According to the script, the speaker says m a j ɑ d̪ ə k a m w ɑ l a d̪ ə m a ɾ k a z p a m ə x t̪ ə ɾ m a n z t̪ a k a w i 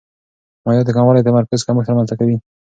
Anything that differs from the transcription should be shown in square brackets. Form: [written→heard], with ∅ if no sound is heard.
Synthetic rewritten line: m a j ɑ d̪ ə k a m w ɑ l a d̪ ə m a ɾ k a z [p→k] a m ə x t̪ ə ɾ m a n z t̪ a k a w i